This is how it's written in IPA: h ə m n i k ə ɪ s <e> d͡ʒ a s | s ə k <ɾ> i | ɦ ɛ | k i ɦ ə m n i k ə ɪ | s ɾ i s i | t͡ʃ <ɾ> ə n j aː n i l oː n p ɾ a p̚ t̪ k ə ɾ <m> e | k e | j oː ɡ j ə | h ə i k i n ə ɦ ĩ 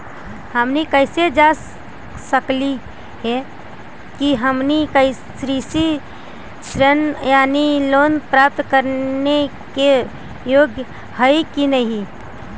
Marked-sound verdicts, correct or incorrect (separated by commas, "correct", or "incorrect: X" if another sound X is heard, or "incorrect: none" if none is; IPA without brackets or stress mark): correct, incorrect: l, correct, incorrect: n